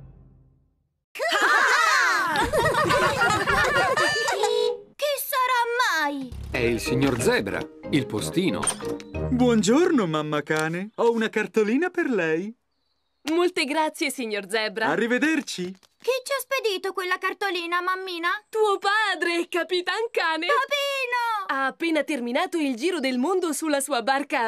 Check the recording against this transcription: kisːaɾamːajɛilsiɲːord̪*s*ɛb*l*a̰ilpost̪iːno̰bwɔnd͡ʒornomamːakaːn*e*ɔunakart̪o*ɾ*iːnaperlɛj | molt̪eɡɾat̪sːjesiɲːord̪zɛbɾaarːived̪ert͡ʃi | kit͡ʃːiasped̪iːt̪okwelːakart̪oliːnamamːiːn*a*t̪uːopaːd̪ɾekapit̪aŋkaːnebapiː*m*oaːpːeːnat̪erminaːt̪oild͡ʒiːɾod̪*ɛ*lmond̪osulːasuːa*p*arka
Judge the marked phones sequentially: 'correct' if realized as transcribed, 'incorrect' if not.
incorrect, incorrect, correct, incorrect, correct, incorrect, incorrect, incorrect

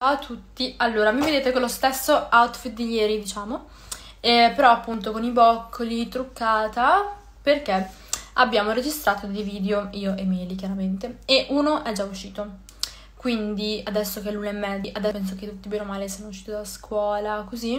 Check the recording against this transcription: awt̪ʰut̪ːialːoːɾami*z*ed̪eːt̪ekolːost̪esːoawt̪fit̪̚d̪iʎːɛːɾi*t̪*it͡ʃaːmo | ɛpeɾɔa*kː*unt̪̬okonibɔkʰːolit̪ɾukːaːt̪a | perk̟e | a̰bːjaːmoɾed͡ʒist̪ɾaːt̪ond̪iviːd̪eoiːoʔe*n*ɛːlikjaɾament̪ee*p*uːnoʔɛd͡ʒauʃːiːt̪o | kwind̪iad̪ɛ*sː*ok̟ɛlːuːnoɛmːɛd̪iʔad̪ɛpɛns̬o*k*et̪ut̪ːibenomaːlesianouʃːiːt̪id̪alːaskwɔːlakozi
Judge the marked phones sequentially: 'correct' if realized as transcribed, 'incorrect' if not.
incorrect, incorrect, incorrect, incorrect, incorrect, correct, correct

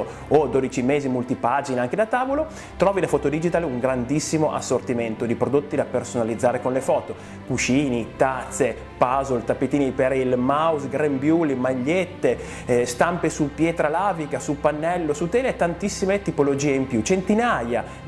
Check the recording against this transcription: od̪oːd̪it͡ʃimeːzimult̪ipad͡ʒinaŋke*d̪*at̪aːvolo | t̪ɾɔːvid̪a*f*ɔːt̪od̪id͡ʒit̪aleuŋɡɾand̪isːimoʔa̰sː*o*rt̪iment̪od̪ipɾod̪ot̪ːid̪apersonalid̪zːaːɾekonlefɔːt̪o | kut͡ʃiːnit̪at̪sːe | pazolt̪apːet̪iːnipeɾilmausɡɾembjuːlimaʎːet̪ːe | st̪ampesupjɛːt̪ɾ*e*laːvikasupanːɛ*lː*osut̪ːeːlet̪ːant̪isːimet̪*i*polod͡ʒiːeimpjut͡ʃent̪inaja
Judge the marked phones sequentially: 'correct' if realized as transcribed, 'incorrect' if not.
correct, correct, correct, incorrect, correct, correct

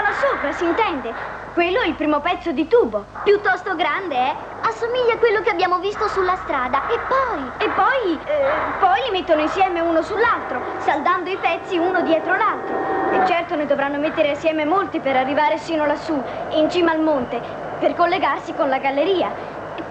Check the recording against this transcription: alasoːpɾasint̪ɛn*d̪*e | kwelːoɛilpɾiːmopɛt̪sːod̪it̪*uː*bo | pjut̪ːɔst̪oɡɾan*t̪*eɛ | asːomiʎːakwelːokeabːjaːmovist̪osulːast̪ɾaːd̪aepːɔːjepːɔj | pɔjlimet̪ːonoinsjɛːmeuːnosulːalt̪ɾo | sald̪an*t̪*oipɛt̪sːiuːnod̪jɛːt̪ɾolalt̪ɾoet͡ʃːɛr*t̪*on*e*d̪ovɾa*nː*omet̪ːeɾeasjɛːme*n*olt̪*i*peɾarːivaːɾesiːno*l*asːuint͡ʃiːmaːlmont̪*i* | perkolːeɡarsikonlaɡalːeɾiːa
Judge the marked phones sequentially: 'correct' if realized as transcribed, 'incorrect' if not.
correct, correct, incorrect, incorrect, correct, correct, correct, incorrect, correct, correct, incorrect

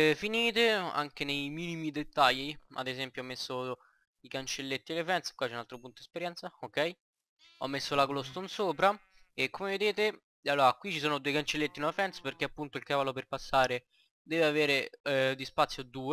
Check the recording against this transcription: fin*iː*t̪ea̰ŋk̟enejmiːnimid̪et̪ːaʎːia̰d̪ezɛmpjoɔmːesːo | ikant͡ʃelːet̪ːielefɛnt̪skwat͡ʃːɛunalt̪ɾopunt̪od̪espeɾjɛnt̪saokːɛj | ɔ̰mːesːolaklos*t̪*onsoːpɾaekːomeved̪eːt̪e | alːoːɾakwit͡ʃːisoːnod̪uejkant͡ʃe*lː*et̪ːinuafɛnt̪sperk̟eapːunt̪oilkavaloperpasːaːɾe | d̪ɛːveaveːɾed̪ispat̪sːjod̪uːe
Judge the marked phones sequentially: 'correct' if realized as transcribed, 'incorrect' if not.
correct, correct, correct

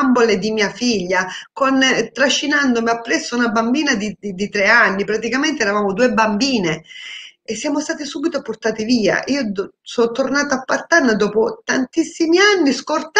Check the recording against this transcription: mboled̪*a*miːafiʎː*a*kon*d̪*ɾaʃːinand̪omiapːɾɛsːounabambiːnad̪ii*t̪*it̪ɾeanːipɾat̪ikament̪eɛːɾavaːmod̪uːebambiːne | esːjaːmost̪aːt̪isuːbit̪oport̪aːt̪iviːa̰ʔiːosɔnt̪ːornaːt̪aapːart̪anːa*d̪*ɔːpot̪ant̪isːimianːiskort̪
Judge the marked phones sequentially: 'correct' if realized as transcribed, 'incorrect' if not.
incorrect, correct, incorrect, incorrect, correct

